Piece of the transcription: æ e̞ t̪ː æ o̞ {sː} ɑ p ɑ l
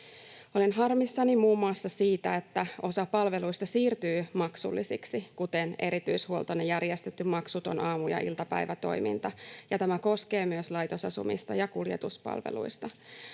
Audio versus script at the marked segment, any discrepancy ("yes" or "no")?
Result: yes